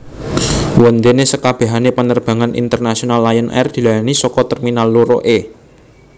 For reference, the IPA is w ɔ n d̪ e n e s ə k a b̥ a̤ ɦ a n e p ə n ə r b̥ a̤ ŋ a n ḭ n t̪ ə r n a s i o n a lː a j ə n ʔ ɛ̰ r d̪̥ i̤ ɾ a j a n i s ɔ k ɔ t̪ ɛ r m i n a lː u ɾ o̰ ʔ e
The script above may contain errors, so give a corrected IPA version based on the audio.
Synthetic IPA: w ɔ n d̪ e n e s ə k a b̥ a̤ ɦ a n e p ə n ə r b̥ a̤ ŋ a n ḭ n t̪ ə r n a s i o n a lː a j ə n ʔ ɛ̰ r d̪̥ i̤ l a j a n i s ɔ k ɔ t̪ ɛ r m i n a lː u ɾ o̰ ʔ e